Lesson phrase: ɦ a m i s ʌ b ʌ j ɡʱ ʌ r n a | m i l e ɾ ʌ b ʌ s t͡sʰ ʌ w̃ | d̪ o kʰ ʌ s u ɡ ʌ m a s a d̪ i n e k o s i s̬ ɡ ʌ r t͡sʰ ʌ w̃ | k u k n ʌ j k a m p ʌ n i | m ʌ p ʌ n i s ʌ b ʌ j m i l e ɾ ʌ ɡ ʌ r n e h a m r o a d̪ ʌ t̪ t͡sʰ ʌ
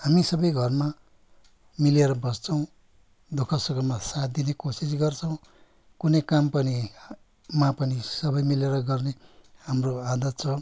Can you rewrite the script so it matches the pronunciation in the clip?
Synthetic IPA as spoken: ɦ a m i s ʌ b ʌ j ɡʱ ʌ r m a | m i l e ɾ ʌ b ʌ s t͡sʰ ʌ w̃ | d̪ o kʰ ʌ s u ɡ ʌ m a s a d̪ i n e k o s i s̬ ɡ ʌ r t͡sʰ ʌ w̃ | k u n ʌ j k a m p ʌ n i | m a p ʌ n i s ʌ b ʌ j m i l e ɾ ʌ ɡ ʌ r n e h a m r o a d̪ ʌ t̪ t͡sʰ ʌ